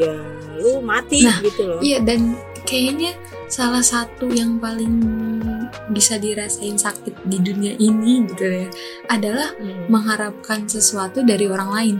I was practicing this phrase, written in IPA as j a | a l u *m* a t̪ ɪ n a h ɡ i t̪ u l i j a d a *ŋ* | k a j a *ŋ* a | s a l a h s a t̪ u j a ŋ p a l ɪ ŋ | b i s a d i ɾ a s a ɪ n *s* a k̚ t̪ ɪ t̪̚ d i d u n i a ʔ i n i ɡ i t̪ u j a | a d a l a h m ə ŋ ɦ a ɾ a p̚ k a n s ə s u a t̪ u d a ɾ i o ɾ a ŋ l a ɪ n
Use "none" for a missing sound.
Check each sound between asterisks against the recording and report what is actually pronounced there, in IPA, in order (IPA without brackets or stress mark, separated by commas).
m, n, ɲ, s